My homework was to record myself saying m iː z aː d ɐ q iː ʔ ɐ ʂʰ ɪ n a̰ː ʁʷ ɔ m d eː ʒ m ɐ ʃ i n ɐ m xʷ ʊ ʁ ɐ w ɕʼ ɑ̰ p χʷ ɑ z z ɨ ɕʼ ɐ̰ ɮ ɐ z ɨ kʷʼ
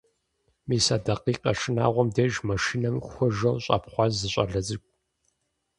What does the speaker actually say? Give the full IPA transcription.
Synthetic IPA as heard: m iː s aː d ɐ q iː q ɐ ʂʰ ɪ n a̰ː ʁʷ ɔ m d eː ʒ m ɐ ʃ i n ɐ m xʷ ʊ ʒ ɐ w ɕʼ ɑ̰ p χʷ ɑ z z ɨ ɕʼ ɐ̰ ɮ ɐ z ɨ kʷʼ